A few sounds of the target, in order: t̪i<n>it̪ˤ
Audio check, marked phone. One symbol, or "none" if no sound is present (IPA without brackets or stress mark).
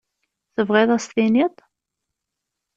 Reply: n